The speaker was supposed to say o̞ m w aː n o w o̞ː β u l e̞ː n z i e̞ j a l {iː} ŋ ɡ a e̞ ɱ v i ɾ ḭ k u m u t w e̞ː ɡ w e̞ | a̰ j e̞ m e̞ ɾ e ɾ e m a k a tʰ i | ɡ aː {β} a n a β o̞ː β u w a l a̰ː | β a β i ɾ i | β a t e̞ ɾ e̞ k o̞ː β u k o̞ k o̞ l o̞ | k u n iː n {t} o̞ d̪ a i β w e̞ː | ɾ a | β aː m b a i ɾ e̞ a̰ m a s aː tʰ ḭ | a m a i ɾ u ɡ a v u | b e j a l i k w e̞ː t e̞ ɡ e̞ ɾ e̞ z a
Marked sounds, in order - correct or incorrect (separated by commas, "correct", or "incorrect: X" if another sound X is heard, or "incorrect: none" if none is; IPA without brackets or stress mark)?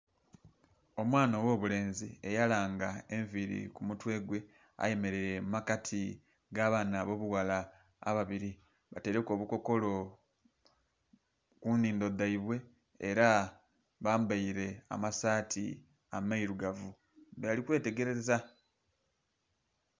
incorrect: aː, correct, incorrect: d